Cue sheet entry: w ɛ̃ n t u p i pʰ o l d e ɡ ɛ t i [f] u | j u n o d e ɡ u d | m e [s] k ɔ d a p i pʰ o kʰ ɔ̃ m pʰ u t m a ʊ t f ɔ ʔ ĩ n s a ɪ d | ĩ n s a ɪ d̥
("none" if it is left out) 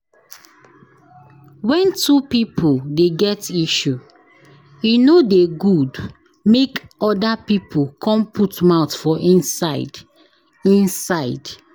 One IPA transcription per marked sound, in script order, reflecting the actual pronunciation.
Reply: ʃ, none

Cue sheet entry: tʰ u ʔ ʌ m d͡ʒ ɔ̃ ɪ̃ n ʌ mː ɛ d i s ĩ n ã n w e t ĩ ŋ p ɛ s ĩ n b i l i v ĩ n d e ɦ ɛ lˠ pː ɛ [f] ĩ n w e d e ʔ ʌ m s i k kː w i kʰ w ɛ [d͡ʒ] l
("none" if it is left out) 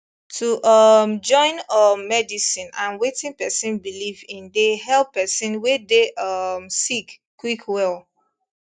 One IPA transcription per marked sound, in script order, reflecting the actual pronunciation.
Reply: s, none

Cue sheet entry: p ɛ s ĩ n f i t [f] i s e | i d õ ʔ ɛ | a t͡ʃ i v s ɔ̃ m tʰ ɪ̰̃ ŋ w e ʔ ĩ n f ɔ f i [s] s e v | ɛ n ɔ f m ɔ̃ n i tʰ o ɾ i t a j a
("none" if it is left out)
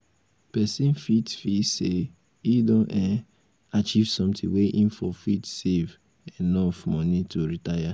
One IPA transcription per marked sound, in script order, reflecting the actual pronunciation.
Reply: f, t

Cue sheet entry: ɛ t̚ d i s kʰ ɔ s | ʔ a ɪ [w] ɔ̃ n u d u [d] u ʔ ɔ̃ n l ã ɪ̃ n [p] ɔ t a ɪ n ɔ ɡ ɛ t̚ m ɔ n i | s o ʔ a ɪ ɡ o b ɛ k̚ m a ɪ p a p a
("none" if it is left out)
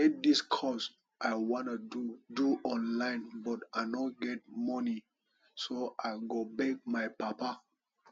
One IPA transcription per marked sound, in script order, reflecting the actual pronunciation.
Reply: w, d, b

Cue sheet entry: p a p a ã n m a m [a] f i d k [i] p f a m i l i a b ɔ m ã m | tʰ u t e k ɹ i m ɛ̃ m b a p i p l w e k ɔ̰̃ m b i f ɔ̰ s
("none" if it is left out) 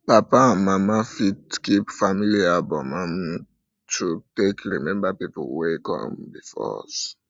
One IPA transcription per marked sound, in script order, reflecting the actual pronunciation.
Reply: a, i

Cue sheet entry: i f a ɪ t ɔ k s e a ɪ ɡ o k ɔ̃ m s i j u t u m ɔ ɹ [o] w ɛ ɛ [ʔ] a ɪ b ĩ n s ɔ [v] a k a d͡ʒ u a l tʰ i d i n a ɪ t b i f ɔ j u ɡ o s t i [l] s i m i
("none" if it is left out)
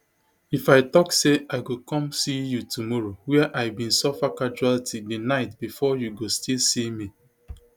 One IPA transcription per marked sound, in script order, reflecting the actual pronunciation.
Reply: o, ʔ, f, l

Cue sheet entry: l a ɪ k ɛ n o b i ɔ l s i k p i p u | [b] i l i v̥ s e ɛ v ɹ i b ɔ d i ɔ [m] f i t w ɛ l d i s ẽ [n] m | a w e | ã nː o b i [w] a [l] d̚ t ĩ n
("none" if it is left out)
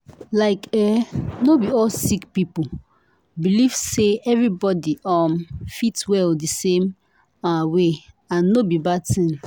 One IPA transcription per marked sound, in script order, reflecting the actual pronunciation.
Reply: b, m, none, b, none

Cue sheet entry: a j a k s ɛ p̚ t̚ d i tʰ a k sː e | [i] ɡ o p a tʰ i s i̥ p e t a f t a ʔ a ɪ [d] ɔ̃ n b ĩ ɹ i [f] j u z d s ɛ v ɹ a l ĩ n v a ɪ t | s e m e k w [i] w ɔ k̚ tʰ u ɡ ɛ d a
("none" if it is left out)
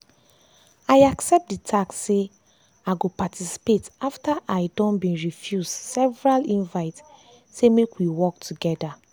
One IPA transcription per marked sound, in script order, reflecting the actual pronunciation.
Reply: a, d, f, i

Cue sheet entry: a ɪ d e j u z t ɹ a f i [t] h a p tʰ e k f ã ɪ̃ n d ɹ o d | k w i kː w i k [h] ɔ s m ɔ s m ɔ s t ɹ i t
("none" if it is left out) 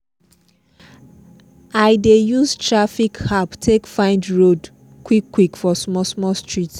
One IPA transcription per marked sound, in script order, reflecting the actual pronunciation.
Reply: k, f

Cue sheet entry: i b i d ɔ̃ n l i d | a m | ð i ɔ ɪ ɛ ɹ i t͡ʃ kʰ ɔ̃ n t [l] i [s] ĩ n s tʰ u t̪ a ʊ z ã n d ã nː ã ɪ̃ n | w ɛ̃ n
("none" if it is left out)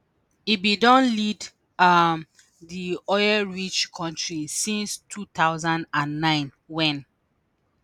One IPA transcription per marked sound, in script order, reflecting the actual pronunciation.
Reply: ɹ, s

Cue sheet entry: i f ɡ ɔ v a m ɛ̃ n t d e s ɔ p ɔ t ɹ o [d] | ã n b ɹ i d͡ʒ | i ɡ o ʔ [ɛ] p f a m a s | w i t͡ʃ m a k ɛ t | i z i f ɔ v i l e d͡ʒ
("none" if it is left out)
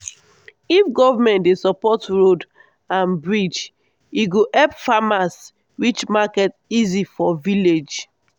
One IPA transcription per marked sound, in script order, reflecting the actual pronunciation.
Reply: d, ɛ

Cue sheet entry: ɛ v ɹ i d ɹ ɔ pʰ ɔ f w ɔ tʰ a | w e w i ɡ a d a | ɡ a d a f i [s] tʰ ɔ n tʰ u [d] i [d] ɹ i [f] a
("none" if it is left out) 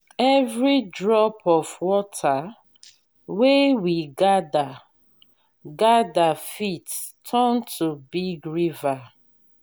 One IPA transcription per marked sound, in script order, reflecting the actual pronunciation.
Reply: t, b, ɡ, v

